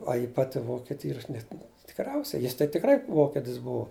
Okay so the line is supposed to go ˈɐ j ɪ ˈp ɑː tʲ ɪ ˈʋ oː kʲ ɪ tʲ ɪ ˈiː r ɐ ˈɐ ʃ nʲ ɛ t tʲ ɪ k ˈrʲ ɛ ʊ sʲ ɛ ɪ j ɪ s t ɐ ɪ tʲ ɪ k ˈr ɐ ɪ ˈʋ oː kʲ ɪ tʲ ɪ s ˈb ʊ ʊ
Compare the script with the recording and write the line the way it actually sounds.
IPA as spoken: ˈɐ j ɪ ˈp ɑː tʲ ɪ ˈʋ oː kʲ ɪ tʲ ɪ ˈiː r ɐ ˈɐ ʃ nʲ ɛ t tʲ ɪ k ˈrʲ ɛ ʊ sʲ ɛ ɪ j ɪ s t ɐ ɪ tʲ ɪ k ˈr ɐ ɪ ˈʋ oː kʲ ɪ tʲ ɪ s ˈb ʊ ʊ